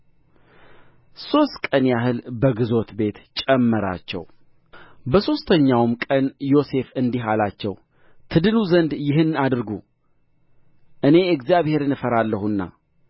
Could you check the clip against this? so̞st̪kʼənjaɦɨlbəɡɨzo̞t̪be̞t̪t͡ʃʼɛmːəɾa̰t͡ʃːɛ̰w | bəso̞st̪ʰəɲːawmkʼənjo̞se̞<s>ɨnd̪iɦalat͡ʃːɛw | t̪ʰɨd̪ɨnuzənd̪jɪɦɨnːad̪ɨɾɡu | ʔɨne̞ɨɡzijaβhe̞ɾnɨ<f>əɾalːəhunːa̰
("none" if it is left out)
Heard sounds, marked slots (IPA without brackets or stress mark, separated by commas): f, f